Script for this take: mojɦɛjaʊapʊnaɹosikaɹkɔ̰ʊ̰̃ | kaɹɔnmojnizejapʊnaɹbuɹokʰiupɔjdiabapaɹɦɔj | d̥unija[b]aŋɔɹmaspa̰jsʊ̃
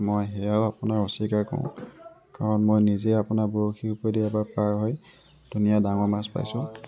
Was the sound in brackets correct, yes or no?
no